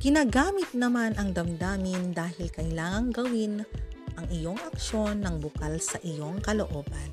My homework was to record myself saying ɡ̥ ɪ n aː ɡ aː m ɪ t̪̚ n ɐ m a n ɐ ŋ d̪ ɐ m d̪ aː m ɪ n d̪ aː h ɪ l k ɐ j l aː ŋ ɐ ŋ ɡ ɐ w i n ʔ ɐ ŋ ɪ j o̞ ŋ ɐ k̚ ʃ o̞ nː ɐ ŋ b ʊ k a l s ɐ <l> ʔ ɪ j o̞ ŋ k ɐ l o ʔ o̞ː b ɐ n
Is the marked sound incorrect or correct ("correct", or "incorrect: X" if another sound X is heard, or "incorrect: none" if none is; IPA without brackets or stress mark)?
incorrect: none